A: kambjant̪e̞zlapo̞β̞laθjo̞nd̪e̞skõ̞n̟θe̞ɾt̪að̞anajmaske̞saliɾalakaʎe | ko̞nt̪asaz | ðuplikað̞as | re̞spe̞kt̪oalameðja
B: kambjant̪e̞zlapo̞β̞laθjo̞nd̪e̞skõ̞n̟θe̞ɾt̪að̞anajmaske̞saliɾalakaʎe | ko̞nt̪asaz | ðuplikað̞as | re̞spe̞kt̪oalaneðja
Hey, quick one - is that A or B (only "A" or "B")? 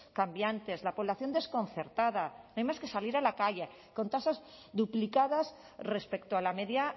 A